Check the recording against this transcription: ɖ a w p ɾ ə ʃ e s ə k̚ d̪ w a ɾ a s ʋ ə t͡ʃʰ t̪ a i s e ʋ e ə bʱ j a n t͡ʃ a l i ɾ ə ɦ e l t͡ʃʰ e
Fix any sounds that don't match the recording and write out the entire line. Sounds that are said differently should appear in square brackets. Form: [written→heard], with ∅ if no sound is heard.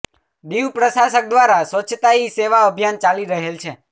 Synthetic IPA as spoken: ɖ [a→i] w p ɾ ə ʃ [e→a] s ə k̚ d̪ [w→ʋ] a ɾ a s ʋ ə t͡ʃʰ t̪ a i s e ʋ [e→a] ə bʱ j a n t͡ʃ a l i ɾ ə ɦ e l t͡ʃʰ e